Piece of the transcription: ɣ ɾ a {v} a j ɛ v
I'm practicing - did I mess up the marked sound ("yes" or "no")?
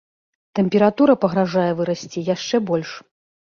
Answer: yes